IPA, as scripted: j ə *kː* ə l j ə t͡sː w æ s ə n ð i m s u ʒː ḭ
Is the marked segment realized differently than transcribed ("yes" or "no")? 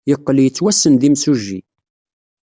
yes